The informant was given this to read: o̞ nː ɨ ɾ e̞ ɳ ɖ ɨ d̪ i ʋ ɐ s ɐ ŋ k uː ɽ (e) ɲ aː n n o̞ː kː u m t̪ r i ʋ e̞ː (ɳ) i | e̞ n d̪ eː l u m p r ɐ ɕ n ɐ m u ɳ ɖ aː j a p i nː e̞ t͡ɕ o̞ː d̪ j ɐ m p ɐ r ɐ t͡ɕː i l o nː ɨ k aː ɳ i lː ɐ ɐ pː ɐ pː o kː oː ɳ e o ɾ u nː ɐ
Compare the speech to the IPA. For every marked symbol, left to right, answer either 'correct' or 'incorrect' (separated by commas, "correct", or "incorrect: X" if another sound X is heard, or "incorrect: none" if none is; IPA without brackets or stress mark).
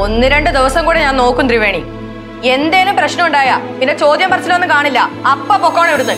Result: correct, correct